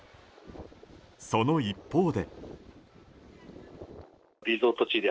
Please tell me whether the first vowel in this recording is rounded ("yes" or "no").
yes